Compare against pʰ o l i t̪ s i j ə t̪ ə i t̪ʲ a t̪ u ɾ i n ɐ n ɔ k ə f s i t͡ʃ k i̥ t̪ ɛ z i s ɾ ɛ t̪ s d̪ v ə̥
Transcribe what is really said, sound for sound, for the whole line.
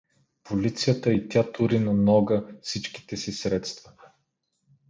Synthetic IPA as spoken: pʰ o l i t̪ s i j ə t̪ ə i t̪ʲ a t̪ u ɾ i n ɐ n ɔ ɡ ə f s i t͡ʃ k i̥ t̪ ɛ s i s ɾ ɛ t̪ s t̪ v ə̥